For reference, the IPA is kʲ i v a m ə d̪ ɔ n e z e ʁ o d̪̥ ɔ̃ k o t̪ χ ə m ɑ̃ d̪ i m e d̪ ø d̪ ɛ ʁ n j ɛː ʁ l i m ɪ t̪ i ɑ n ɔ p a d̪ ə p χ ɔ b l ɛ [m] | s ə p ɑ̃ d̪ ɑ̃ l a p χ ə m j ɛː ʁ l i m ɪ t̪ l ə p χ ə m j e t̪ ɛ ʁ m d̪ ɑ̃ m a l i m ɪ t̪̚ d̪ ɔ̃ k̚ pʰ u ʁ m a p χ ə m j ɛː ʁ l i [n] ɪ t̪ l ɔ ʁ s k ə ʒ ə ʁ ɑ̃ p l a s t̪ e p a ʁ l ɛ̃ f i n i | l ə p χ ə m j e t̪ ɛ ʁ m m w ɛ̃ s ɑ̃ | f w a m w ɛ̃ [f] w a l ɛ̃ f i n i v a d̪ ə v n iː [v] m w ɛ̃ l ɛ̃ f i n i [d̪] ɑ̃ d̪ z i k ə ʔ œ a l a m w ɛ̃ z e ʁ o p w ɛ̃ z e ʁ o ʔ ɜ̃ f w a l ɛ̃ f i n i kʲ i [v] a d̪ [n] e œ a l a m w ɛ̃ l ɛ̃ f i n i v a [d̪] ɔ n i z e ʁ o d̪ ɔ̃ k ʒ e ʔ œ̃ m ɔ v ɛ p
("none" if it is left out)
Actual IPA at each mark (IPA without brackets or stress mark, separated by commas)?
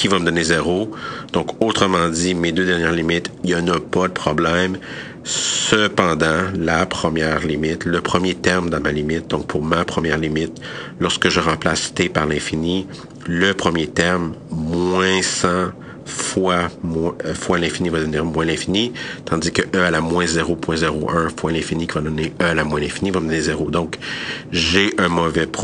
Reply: m, m, f, ʁ, t̪, v, n, d̪